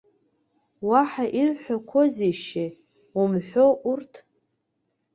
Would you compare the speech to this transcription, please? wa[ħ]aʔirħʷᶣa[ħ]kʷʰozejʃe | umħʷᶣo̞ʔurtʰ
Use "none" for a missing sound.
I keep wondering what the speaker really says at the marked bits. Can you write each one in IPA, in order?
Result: ħ, none

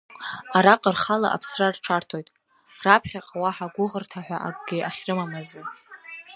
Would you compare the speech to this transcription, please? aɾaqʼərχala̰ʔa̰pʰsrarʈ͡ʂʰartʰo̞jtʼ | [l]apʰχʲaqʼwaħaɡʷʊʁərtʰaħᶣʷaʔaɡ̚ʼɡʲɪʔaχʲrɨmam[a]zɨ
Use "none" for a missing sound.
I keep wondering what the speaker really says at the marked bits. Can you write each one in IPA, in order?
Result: r, a

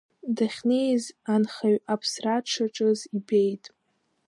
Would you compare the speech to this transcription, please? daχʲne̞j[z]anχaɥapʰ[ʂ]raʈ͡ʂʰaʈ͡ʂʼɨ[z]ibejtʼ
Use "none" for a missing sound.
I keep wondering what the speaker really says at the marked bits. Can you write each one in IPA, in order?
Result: z, s, z

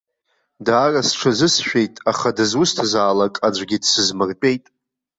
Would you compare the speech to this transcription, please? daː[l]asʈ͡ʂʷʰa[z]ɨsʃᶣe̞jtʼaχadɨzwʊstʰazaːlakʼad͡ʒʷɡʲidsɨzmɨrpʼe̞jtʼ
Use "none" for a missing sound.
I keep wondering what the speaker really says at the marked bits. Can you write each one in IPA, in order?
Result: r, z

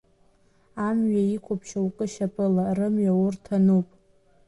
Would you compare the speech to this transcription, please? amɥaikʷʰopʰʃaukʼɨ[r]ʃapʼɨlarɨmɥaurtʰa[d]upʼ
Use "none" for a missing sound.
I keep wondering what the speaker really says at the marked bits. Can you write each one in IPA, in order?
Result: none, n

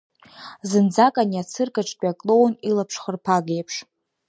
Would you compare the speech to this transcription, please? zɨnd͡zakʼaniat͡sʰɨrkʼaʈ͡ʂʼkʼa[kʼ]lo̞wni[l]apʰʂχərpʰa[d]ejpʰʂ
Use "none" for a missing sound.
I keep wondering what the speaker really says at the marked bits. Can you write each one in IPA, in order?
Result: kʼ, l, ɡ

